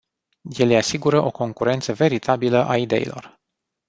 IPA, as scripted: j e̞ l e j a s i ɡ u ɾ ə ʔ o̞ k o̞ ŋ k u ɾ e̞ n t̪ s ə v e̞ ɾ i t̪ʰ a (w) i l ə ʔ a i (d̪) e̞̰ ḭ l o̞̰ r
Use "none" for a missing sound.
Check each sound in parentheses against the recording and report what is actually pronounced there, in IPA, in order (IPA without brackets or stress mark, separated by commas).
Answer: b, d̪